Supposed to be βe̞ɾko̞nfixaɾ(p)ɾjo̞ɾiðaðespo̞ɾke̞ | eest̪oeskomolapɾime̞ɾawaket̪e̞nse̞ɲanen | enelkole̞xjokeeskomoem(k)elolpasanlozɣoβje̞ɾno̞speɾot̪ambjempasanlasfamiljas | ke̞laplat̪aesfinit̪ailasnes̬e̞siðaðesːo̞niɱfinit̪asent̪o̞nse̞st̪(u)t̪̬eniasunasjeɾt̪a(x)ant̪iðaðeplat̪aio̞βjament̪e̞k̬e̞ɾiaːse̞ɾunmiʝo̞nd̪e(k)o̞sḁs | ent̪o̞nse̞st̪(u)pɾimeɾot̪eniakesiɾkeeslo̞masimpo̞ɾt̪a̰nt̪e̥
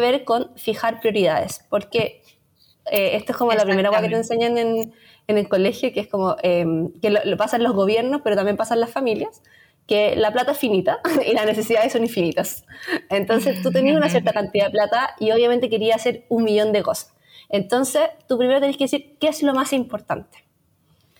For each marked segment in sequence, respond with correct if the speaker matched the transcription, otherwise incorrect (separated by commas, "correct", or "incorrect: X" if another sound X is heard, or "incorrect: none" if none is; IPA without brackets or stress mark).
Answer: correct, correct, correct, incorrect: k, correct, correct